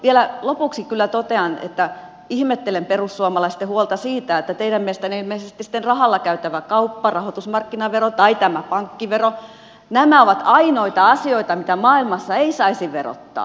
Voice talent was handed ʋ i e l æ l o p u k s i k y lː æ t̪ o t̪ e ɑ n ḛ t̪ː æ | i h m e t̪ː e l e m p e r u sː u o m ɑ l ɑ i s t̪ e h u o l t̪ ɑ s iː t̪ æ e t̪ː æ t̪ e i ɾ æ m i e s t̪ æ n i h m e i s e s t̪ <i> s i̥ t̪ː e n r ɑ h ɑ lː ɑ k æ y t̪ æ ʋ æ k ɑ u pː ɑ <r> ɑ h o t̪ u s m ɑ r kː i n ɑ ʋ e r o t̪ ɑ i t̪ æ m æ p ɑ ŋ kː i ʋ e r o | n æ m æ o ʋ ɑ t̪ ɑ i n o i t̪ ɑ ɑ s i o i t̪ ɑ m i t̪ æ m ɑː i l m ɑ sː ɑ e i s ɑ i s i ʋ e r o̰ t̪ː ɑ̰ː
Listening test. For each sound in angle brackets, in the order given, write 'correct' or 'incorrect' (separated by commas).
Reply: correct, correct